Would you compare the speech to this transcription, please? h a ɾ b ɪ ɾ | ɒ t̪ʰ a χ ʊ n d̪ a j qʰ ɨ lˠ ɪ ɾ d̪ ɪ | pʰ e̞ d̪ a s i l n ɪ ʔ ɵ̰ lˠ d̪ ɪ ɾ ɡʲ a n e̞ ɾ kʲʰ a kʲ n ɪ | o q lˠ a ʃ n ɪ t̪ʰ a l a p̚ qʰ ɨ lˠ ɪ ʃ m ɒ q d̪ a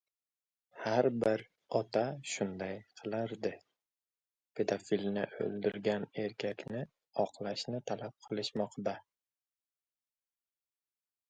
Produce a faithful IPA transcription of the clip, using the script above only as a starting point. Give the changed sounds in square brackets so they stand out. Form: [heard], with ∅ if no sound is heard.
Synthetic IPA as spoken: h a ɾ b ɪ ɾ | ɒ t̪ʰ a [ʃ] ʊ n d̪ a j qʰ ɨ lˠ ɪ ɾ d̪ ɪ | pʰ e̞ d̪ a [f] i l n ɪ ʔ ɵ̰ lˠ d̪ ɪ ɾ ɡʲ a n e̞ ɾ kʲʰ a kʲ n ɪ | [ɒ] q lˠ a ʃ n ɪ t̪ʰ a l a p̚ qʰ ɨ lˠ ɪ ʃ m ɒ q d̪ a